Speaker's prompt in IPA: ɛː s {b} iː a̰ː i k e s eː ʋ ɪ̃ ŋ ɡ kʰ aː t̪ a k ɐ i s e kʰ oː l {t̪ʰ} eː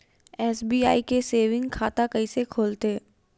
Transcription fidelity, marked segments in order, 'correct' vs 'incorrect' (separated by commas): correct, incorrect